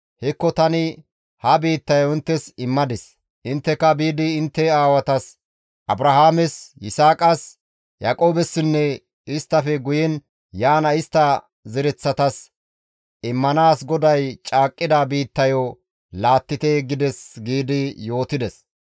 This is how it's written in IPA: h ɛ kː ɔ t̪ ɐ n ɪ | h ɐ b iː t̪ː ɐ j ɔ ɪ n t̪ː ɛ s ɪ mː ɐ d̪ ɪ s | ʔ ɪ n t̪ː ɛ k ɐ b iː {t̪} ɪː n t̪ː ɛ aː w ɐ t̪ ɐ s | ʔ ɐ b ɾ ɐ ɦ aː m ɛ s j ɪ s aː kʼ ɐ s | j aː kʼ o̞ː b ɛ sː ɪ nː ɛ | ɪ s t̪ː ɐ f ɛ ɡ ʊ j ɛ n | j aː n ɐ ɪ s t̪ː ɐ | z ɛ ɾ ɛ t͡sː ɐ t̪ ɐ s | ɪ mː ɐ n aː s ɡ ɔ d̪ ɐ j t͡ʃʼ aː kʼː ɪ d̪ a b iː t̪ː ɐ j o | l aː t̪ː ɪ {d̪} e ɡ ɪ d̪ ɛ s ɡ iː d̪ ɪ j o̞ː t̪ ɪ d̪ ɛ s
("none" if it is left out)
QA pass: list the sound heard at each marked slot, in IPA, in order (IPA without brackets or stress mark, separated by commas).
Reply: d̪, t̪